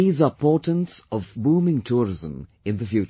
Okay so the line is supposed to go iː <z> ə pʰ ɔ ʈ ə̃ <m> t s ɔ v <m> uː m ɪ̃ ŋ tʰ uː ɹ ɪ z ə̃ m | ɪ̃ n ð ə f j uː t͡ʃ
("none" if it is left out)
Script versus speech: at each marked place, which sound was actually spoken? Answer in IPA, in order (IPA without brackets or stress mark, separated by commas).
z, n, b